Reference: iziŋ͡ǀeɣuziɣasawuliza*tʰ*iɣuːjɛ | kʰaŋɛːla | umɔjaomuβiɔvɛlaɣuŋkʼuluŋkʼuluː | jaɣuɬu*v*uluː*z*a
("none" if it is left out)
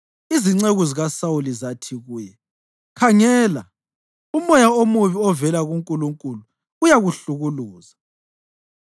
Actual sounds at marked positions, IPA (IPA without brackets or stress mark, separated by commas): tʰ, ɣ, z